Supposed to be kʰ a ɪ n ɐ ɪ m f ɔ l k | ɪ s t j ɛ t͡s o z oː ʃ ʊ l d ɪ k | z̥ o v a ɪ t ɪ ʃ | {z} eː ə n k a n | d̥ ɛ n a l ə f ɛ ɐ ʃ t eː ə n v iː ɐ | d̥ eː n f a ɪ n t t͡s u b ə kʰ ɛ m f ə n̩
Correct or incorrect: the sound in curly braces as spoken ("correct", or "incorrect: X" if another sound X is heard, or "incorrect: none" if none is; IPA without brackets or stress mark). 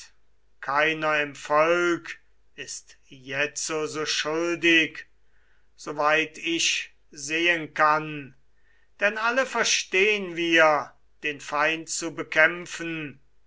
correct